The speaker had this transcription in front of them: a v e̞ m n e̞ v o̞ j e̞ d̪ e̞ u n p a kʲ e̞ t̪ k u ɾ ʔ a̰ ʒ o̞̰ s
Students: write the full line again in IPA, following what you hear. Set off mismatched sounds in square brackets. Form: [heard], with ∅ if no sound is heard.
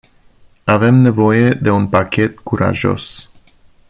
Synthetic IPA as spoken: a v e̞ m n e̞ v o̞ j e̞ d̪ e̞ u n p a kʲ e̞ t̪ k u ɾ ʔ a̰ ʒ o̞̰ s